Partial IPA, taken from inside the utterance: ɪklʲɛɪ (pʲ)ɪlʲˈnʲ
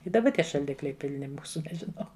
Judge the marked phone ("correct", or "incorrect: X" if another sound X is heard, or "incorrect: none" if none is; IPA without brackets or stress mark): correct